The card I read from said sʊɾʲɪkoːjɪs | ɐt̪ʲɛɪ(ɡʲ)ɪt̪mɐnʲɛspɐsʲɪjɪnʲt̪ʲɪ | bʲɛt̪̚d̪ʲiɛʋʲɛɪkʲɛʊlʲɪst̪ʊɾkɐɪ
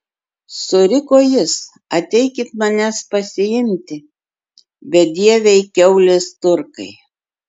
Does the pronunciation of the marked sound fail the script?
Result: yes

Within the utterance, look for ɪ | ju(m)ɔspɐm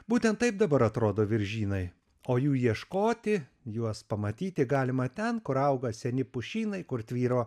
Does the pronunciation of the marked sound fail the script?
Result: yes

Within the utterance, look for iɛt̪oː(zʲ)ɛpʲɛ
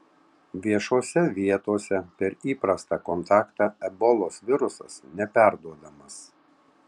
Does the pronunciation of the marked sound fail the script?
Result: yes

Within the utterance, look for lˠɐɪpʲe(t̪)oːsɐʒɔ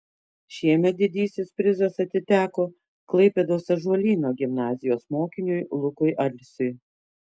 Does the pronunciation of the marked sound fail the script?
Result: yes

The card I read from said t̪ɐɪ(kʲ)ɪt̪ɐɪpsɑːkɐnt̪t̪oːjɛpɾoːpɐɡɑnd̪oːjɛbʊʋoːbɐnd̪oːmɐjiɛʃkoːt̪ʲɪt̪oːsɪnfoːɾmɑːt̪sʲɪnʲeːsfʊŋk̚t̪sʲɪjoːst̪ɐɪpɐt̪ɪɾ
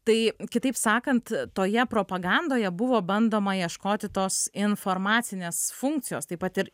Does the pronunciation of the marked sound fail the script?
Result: no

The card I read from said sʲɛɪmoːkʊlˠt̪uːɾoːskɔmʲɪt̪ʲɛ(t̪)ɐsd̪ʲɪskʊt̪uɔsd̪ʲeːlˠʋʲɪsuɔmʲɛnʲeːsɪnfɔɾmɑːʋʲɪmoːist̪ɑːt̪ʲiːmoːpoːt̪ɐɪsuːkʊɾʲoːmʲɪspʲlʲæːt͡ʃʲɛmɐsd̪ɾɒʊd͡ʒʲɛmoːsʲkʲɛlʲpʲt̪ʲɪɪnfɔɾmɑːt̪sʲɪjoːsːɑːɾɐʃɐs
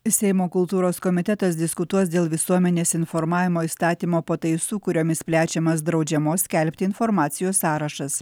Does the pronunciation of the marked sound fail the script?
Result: no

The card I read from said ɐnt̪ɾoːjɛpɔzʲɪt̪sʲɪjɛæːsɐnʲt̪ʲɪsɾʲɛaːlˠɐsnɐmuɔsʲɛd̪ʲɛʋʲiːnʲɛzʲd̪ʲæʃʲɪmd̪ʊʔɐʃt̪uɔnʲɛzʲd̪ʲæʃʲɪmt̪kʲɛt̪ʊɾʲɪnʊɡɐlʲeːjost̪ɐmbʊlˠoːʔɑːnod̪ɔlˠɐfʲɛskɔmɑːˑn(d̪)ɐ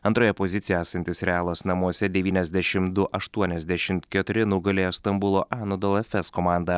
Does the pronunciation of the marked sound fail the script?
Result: no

